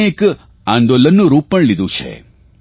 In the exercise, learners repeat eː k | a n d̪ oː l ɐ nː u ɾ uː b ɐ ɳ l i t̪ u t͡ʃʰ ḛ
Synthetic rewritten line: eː k | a n d̪ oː l ɐ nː u ɾ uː p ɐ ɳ l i d̪ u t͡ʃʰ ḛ